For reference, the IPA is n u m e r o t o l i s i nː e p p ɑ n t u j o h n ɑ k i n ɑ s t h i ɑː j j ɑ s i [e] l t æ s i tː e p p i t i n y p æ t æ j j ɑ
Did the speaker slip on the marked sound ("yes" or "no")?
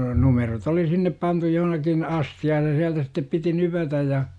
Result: yes